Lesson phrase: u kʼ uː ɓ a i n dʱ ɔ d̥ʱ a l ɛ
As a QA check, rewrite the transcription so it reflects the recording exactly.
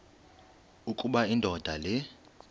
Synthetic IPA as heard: u kʼ u ɓ a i n dʱ ɔ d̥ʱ a l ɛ